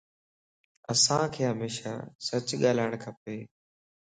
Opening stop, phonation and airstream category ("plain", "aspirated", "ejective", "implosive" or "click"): aspirated